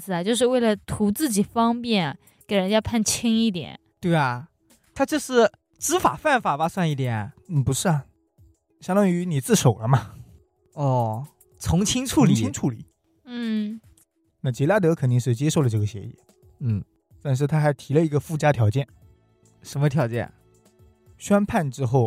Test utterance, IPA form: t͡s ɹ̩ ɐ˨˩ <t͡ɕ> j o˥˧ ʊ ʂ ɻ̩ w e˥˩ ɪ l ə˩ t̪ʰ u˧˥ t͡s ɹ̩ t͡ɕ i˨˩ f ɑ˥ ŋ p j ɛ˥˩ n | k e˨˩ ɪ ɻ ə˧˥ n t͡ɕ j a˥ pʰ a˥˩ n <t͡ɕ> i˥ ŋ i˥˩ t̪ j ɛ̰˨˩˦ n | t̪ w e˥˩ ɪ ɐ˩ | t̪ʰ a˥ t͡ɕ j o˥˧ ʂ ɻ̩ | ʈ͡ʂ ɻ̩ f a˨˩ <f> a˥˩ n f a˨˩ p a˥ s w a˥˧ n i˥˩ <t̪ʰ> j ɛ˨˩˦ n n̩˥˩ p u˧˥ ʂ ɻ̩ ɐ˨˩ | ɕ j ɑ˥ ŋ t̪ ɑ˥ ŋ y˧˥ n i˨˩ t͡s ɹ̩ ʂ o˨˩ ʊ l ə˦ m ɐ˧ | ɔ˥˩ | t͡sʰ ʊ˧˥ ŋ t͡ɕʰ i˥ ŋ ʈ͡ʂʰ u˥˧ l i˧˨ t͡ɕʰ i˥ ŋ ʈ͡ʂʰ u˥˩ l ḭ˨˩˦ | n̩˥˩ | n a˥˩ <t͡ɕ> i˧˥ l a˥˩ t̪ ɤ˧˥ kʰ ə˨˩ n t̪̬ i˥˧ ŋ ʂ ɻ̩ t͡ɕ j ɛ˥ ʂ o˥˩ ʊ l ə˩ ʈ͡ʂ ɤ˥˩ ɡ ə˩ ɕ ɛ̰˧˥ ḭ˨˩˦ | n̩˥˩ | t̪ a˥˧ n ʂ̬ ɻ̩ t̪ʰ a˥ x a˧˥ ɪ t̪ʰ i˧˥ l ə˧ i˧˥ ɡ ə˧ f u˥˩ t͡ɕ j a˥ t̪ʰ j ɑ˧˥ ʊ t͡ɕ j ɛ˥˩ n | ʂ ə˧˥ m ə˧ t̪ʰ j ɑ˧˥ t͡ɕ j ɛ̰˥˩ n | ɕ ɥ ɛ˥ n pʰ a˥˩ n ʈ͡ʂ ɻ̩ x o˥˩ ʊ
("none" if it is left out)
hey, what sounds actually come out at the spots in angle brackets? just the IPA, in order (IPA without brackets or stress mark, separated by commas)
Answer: t͡ɕ, t͡ɕʰ, f, t̪, t͡ɕ